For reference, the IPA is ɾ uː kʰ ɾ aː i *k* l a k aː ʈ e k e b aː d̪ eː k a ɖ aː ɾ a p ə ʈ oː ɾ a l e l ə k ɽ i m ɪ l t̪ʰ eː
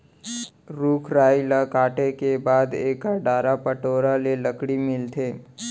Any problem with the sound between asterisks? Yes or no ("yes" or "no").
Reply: yes